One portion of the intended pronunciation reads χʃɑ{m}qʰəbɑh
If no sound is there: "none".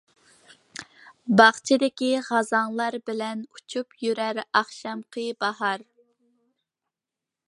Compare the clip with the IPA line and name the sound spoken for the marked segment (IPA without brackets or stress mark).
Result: m